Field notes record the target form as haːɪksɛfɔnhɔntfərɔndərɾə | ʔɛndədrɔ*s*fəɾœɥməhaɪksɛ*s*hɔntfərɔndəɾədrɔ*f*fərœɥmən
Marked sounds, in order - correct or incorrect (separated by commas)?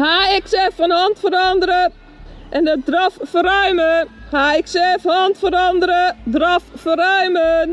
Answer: incorrect, incorrect, correct